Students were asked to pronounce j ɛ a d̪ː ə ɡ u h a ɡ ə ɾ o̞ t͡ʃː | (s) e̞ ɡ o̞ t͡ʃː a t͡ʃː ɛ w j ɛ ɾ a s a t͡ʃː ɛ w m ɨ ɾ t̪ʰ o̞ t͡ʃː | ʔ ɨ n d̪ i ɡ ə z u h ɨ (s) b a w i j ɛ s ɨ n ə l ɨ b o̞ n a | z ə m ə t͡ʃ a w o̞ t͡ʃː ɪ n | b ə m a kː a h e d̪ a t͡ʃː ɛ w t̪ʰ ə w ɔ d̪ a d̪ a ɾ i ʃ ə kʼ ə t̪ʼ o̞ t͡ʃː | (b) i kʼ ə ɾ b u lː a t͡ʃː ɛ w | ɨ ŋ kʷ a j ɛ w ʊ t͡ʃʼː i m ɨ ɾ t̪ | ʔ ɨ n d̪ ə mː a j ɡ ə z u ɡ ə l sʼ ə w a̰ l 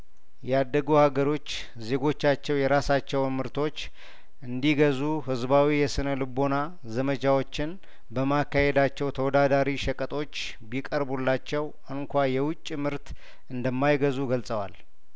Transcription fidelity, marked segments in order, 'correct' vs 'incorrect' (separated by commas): incorrect, incorrect, correct